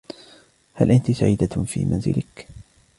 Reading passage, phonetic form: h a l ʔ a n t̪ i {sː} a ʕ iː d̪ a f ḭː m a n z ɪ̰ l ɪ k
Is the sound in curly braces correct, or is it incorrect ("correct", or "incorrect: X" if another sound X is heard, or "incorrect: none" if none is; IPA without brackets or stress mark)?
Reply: incorrect: s